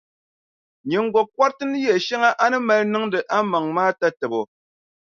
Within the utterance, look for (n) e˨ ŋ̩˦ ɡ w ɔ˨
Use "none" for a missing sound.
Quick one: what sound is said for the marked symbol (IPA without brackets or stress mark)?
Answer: ɲ